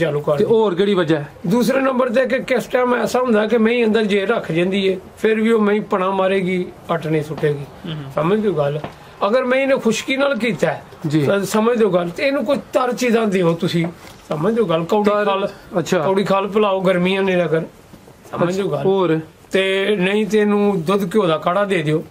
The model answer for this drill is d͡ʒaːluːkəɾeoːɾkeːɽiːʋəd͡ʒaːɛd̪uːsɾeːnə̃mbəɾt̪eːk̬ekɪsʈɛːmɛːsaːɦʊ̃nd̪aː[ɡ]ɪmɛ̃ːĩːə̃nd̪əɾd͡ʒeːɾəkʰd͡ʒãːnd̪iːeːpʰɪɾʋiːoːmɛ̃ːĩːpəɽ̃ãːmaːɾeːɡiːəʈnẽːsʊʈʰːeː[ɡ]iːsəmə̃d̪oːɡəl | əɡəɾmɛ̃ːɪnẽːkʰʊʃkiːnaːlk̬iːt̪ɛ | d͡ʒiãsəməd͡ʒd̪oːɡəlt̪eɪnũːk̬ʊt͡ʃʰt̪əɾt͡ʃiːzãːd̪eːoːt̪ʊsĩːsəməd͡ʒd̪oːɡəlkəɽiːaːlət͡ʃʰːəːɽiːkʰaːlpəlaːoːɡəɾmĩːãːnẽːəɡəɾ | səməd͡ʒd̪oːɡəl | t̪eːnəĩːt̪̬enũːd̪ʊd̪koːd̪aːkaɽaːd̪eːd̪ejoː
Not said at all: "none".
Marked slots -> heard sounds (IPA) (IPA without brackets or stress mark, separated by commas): k, ɡ